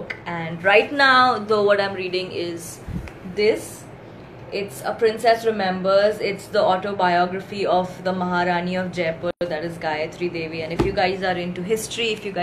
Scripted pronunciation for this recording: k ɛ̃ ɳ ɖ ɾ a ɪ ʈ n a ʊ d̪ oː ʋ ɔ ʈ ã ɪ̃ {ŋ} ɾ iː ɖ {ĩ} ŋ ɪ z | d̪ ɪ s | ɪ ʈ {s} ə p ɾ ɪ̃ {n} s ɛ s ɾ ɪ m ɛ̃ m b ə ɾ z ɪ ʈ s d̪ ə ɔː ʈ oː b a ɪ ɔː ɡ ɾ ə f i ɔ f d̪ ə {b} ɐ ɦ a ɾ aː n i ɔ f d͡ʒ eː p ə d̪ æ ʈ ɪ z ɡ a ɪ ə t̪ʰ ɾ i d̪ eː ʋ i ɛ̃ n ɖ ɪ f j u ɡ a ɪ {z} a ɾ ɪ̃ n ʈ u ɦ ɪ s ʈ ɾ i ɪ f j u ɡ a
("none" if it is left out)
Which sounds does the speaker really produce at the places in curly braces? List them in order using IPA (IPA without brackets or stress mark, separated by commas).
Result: m, ɪ̃, s, n, m, z